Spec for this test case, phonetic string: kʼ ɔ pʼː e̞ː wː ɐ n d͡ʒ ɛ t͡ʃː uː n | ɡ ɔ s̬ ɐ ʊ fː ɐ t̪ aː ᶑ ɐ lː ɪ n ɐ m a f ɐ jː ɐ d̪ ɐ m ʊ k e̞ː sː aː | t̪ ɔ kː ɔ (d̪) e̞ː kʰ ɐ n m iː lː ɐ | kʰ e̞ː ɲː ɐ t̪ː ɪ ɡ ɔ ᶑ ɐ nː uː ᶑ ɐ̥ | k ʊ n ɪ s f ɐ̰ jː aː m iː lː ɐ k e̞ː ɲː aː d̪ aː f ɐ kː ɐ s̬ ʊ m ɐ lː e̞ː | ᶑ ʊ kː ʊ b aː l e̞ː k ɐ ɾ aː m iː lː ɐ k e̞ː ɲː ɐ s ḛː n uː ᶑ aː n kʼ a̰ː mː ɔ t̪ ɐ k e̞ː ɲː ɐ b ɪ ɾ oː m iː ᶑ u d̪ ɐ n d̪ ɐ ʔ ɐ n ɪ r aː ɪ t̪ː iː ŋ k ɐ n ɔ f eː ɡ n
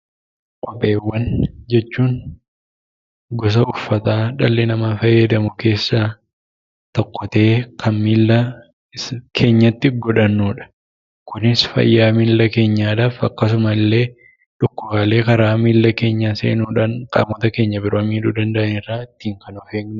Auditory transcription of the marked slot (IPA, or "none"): t̪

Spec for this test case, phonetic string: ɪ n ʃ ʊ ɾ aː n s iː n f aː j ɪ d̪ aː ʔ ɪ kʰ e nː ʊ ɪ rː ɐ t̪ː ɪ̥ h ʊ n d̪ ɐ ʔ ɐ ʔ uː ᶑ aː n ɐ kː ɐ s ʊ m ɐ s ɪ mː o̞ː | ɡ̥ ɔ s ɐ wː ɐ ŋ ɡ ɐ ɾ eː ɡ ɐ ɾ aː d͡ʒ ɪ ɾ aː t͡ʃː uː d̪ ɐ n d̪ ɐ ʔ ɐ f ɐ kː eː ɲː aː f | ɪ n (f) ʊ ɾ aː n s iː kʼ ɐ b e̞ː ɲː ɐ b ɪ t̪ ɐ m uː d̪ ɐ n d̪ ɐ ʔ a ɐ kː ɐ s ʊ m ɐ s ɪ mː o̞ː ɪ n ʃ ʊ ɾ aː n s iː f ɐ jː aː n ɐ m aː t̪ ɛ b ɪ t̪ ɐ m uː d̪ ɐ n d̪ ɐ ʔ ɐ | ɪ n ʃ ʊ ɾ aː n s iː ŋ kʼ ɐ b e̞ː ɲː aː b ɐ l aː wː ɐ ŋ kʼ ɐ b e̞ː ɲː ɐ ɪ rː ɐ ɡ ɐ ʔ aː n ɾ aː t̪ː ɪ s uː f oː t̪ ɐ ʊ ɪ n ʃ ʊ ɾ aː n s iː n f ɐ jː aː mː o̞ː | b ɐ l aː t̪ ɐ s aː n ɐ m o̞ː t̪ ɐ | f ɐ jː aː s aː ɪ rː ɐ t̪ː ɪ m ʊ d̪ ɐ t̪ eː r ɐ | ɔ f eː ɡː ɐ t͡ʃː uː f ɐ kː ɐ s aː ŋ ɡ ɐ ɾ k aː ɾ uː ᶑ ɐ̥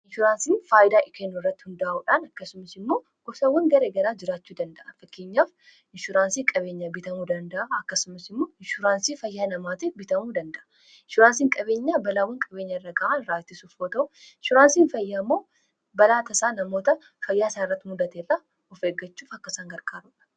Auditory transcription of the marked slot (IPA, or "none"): ʃ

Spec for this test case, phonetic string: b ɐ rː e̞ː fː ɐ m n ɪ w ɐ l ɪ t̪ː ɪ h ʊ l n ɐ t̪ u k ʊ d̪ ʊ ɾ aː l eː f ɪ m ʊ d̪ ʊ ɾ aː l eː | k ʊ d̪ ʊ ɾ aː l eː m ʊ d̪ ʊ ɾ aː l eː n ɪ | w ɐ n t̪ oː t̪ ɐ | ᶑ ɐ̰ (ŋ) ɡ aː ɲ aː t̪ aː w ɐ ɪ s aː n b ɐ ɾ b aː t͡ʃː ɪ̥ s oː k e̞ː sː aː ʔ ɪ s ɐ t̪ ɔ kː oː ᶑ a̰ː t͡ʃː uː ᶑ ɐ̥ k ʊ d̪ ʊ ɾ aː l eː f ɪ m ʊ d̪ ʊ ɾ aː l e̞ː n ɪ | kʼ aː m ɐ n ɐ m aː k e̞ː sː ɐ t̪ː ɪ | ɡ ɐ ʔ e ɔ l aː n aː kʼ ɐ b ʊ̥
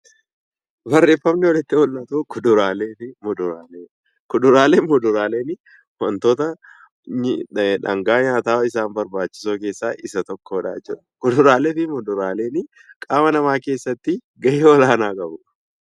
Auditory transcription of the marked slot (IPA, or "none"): ŋ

